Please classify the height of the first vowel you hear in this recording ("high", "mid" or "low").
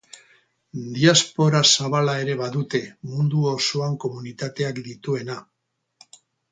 high